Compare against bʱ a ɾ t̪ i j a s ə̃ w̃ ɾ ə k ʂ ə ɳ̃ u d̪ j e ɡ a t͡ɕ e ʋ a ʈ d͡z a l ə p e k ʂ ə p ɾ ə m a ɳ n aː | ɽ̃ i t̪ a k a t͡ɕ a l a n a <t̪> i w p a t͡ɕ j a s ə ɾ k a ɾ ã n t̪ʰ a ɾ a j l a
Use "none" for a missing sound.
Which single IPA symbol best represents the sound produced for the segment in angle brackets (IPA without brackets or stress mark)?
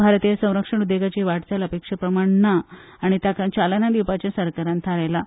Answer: d̪